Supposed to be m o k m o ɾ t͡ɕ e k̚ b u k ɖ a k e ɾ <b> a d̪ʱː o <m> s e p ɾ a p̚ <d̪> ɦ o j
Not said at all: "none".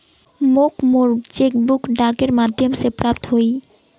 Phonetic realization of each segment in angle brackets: m, m, t̪

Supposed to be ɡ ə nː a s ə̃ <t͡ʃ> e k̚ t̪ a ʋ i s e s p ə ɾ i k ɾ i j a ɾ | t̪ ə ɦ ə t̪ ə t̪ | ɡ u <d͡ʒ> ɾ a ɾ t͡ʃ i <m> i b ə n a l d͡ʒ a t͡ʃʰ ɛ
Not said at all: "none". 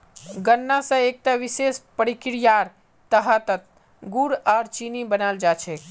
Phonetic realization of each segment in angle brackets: none, none, n

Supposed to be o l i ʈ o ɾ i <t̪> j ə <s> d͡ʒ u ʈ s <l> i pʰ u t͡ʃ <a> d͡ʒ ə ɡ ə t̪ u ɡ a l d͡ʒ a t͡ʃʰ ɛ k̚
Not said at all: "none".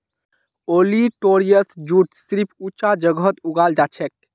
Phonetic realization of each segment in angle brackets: none, s, ɾ, a

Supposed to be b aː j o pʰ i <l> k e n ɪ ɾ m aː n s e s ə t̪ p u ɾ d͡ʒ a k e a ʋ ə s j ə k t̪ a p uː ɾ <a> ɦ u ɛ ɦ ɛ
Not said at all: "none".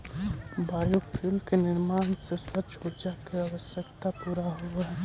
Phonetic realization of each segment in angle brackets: l, a

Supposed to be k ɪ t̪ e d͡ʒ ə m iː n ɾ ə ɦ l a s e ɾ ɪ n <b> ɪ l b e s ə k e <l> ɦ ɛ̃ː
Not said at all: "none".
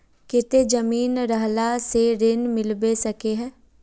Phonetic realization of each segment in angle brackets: m, none

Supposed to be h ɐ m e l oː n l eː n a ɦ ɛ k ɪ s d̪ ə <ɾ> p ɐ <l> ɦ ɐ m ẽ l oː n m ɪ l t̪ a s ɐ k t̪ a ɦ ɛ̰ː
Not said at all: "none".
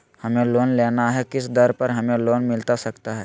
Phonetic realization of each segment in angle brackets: ɾ, ɾ

